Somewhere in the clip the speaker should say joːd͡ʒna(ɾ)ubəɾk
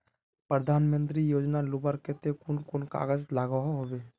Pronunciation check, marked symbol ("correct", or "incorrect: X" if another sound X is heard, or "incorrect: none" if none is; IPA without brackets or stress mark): incorrect: l